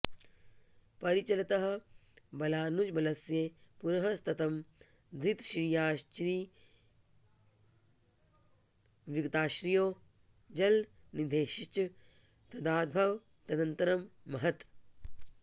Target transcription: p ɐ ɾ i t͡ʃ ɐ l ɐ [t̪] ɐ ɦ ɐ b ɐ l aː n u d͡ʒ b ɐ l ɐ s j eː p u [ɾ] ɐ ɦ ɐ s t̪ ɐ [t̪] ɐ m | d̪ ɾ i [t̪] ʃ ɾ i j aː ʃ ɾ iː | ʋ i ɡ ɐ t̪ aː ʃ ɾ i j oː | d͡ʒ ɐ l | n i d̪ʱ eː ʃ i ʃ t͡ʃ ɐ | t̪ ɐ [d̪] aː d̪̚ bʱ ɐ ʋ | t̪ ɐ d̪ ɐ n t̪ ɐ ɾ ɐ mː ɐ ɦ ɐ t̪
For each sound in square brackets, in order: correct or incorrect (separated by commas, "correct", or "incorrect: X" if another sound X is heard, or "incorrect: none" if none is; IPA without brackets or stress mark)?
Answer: correct, correct, correct, correct, correct